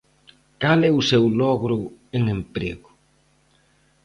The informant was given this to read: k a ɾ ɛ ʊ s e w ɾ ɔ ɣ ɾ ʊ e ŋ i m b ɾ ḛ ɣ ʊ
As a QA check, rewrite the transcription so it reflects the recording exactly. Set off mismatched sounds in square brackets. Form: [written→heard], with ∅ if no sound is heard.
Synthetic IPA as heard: k a [ɾ→l] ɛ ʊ s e w [ɾ→l] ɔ ɣ ɾ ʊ e ŋ [i→e] m [b→p] ɾ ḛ ɣ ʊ